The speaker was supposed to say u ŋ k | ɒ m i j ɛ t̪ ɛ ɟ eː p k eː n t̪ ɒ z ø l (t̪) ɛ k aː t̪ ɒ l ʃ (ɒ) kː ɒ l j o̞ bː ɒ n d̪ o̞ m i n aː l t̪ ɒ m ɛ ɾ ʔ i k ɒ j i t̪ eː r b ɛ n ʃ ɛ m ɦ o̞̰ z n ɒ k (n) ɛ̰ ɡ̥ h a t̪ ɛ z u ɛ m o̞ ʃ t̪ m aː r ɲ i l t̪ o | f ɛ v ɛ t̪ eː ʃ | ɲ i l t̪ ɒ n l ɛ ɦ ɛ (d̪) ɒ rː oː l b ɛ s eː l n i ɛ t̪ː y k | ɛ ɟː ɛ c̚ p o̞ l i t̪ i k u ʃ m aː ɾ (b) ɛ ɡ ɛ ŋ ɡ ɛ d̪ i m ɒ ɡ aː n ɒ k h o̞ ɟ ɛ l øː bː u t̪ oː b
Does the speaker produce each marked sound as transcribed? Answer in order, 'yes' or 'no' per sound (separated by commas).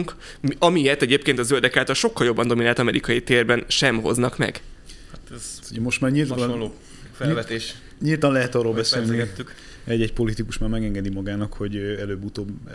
no, no, no, no, no